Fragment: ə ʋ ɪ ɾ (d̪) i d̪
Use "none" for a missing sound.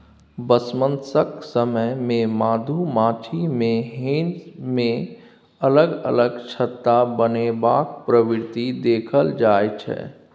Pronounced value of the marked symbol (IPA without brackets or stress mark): t̪